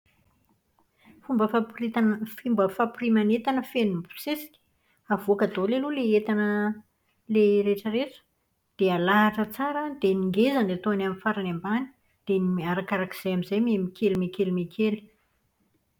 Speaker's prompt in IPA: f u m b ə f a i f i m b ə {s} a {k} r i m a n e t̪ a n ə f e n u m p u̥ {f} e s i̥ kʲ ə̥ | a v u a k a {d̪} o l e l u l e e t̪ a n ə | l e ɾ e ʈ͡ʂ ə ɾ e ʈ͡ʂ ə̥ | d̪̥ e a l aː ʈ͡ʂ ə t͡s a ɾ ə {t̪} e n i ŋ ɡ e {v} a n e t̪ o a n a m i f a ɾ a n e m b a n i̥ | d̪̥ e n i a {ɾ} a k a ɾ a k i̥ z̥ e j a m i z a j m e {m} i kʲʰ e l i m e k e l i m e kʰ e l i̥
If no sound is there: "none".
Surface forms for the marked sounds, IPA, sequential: f, p, s, d̪, d̪, z, ɾ, m

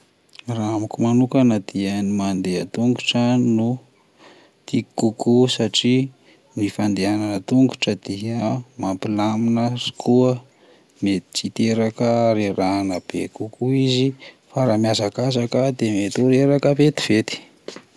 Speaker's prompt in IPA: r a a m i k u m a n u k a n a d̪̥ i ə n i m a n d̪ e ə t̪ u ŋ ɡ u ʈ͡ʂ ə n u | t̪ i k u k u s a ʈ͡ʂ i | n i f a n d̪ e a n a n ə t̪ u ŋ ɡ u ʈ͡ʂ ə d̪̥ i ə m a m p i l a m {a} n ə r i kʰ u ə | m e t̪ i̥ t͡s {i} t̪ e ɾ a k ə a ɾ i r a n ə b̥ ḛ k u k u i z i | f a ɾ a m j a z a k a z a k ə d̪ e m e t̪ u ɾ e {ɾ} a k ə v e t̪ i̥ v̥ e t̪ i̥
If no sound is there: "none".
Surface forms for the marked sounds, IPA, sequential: i, i, ɾ

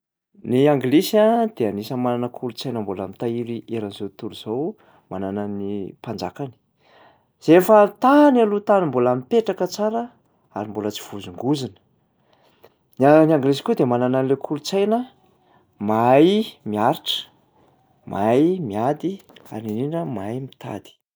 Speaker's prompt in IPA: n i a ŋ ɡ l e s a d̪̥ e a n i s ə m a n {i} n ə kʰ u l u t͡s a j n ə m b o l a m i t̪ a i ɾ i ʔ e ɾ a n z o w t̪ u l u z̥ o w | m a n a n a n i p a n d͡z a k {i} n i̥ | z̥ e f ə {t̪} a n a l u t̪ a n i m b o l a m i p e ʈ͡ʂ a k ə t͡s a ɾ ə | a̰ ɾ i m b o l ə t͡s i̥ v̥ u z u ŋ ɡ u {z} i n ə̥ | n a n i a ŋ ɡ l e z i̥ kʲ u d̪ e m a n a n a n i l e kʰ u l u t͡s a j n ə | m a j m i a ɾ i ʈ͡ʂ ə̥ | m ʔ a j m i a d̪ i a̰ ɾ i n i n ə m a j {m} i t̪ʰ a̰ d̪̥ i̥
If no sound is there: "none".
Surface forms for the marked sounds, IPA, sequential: a, a, t̪, z, m

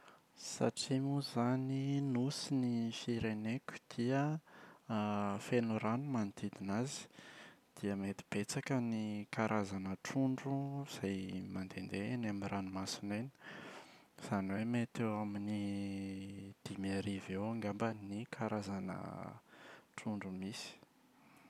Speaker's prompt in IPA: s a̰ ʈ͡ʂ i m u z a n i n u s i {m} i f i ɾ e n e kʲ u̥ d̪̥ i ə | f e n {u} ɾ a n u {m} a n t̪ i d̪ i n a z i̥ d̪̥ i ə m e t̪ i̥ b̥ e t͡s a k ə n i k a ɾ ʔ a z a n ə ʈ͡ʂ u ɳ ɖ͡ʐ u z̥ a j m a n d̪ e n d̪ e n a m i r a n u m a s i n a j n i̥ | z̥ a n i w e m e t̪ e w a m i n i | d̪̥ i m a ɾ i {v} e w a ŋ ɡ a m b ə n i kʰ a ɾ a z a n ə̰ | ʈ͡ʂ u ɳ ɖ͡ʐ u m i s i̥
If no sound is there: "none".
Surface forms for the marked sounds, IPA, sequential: n, u, m, v

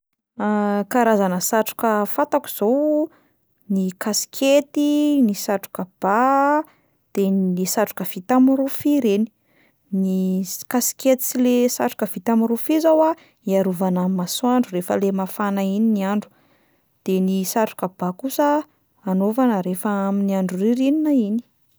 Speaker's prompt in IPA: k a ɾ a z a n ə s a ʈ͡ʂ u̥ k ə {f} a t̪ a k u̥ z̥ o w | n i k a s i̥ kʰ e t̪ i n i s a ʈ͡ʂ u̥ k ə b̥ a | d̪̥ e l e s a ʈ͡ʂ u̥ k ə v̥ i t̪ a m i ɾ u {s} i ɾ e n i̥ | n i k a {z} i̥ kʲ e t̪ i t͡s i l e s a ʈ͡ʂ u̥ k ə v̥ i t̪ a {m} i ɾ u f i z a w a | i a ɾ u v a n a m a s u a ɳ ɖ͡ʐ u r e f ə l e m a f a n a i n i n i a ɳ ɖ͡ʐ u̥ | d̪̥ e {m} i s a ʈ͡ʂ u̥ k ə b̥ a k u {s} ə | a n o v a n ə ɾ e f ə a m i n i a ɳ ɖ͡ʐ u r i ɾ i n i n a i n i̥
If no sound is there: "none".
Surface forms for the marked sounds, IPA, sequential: f, f, s, m, n, s

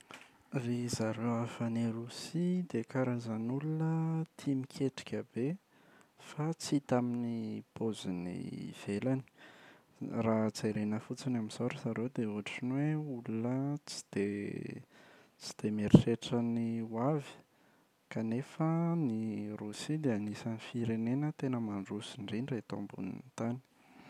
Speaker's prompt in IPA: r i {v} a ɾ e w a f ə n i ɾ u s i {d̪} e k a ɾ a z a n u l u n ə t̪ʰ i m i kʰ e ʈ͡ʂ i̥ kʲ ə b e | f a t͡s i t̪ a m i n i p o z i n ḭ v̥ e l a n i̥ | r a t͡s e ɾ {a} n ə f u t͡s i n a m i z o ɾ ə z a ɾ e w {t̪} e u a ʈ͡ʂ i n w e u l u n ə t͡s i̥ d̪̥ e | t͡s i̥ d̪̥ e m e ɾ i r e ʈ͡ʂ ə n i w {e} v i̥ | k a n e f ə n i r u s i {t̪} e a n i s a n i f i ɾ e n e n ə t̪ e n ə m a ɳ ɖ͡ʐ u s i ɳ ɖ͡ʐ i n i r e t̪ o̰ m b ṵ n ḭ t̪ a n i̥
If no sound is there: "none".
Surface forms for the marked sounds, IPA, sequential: z, d̪, e, d̪, a, d̪

